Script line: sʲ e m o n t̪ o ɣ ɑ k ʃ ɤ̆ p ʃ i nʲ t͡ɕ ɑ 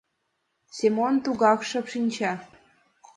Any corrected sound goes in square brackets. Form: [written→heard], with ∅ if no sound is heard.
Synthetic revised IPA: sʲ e m o n t̪ [o→u] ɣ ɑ k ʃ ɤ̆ p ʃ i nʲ t͡ɕ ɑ